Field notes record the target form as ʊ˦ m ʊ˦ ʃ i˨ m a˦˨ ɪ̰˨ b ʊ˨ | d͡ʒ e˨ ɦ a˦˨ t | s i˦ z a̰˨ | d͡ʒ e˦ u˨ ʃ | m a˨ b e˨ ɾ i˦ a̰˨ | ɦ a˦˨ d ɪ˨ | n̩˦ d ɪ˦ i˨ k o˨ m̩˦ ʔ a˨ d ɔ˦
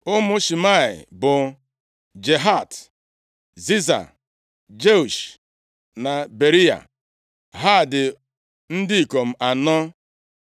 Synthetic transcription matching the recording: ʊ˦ m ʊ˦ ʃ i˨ m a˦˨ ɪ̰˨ b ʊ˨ | d͡ʒ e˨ ɦ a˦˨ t | z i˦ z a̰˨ | d͡ʒ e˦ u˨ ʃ | n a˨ b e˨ ɾ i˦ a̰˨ | ɦ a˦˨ d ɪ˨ | n̩˦ d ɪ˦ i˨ k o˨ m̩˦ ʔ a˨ n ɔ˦